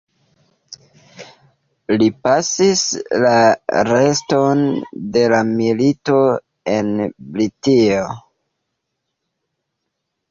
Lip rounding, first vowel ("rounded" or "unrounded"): unrounded